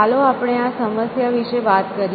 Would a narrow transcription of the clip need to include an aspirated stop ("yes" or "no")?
no